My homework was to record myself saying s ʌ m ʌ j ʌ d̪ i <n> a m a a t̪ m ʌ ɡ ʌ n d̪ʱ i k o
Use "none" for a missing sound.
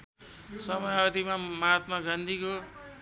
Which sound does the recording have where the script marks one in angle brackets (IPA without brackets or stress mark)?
m